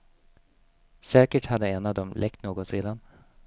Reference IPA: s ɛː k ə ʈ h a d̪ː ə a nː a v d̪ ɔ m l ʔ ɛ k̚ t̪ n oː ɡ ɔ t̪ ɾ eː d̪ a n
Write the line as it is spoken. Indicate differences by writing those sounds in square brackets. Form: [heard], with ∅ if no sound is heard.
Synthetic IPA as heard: s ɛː k ə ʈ h a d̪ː ə [ɛ] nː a v d̪ ɔ m l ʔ ɛ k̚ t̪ n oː ɡ ɔ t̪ ɾ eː d̪ a n